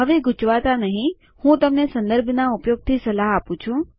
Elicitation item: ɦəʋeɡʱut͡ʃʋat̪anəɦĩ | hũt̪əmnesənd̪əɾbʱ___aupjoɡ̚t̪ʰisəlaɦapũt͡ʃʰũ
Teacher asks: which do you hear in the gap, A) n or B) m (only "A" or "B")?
A